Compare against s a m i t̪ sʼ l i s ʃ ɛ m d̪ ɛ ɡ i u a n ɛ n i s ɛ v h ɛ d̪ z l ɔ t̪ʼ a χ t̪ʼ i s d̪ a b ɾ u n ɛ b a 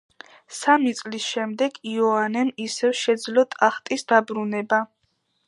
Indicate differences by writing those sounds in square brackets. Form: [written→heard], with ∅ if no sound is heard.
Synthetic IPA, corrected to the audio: s a m i t̪ sʼ l i s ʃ ɛ m d̪ ɛ ɡ i [u→ɔ] a n ɛ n i s ɛ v [h→ʃ] ɛ d̪ z l ɔ t̪ʼ a χ t̪ʼ i s d̪ a b ɾ u n ɛ b a